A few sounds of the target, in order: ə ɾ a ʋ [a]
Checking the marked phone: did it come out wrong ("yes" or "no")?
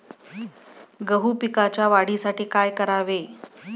yes